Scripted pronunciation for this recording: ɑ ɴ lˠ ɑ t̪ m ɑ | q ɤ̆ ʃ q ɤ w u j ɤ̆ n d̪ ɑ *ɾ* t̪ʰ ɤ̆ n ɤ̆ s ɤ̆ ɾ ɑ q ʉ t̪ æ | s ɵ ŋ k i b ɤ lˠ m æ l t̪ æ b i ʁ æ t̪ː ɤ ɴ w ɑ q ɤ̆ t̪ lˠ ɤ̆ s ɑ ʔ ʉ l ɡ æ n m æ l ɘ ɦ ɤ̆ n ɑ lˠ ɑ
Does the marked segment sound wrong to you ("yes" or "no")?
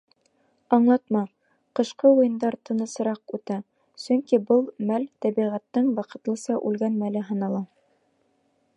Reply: no